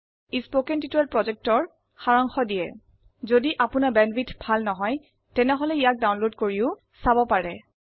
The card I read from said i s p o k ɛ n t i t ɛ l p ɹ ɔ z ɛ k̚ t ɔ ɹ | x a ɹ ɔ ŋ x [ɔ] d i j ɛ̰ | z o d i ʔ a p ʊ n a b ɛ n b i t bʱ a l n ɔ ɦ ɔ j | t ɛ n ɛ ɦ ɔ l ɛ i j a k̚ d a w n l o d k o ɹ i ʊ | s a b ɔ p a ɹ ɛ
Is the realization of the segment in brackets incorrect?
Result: no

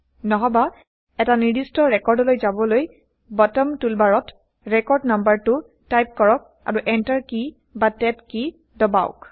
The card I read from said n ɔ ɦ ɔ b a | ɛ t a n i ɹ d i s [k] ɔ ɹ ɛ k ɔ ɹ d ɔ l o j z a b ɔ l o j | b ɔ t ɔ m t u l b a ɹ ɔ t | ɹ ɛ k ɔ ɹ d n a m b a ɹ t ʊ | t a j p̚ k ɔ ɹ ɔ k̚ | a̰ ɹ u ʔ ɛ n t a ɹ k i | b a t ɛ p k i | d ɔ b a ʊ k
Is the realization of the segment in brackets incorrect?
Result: yes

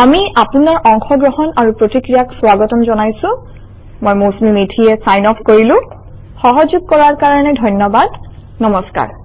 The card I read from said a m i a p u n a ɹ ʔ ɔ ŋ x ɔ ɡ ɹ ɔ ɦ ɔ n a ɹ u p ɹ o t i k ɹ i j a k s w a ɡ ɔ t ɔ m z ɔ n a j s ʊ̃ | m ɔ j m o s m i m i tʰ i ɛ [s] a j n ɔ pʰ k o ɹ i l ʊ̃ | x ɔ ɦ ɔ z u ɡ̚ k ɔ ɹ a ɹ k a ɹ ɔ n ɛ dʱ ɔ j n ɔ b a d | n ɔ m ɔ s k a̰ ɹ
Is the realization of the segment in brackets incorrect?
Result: no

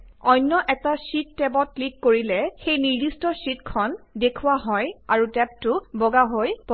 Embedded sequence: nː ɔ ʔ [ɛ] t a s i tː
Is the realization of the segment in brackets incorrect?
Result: no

